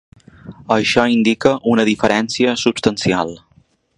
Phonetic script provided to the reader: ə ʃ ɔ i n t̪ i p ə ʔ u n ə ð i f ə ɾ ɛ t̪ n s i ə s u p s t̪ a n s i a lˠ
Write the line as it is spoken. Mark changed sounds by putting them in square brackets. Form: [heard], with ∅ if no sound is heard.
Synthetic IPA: ə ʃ ɔ i n [d̪] i [k] ə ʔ u n ə ð i f ə ɾ ɛ [∅] n s i ə s u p s t̪ [ə] n s i a lˠ